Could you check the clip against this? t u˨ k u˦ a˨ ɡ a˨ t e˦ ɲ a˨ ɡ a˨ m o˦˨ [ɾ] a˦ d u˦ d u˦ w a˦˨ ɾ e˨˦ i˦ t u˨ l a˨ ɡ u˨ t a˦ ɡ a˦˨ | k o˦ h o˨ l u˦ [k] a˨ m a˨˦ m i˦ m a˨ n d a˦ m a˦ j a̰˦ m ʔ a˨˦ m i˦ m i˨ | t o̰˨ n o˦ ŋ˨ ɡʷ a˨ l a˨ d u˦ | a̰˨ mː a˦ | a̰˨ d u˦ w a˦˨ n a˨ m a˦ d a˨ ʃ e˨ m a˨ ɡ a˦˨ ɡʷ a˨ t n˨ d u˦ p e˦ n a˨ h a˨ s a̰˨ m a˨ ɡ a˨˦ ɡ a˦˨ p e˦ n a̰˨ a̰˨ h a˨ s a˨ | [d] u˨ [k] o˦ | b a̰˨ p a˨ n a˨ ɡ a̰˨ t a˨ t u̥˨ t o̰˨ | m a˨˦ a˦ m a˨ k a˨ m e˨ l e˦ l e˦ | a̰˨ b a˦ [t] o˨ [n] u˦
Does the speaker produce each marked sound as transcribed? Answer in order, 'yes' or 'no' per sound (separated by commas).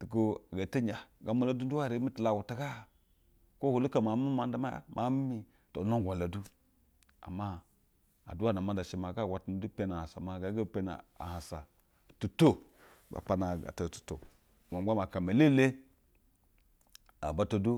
no, yes, no, no, yes, no